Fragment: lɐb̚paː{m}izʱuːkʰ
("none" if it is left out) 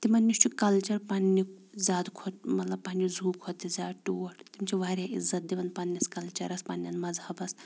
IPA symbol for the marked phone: n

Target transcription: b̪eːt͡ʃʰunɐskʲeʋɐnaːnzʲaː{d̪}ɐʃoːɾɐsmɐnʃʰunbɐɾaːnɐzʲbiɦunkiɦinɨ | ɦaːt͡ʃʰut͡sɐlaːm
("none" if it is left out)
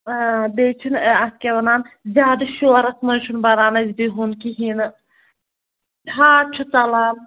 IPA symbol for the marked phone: d̪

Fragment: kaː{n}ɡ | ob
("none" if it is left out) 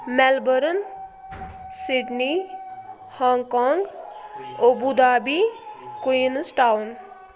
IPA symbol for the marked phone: ŋ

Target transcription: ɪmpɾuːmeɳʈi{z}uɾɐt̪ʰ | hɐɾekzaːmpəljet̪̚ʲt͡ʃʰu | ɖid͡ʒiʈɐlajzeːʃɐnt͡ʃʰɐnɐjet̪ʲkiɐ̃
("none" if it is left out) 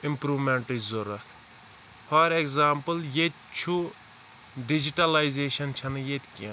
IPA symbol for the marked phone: z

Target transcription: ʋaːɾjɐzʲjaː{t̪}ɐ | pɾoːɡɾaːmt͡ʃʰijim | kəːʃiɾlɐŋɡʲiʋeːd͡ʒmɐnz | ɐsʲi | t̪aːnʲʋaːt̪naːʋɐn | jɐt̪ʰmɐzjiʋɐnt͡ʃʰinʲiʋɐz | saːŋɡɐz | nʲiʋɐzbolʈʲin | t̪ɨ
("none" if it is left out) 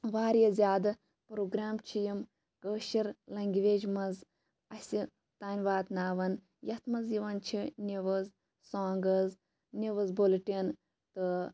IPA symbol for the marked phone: d̪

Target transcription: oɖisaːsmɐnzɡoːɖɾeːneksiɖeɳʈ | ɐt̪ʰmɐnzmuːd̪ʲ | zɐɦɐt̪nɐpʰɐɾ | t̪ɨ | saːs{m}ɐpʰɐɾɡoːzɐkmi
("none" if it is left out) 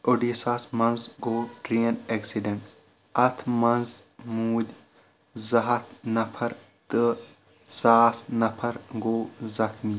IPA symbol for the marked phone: n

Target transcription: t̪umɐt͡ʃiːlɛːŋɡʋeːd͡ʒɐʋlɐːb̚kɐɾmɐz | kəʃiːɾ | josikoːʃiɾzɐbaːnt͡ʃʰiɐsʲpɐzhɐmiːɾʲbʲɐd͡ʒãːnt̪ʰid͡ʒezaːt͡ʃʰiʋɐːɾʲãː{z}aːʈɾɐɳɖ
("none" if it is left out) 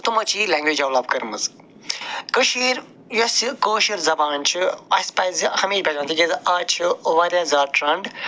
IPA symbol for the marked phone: z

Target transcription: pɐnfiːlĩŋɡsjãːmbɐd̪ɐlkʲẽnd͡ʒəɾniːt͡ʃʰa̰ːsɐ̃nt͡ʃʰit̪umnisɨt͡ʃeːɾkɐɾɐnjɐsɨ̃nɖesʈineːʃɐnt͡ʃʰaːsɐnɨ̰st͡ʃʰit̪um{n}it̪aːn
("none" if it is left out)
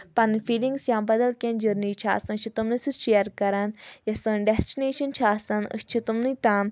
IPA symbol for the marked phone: n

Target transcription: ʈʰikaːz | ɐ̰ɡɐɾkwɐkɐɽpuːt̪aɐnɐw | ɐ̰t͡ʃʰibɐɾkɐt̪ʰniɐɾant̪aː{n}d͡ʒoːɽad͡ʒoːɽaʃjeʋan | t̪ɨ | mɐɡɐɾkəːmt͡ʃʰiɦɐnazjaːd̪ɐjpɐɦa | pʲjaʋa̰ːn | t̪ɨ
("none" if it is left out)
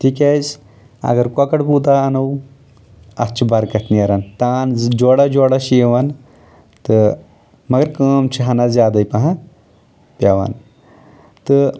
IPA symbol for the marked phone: n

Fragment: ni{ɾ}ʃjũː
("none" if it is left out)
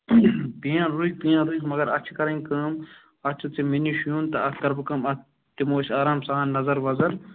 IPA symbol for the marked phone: none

